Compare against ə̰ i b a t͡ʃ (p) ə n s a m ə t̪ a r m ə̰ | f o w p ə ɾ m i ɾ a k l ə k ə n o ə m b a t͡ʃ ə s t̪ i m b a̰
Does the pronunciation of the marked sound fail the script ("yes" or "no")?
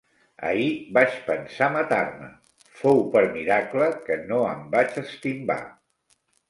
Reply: no